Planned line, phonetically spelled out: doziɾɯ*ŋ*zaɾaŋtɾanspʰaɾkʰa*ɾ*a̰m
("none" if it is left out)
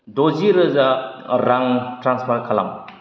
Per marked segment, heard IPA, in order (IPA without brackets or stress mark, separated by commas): none, l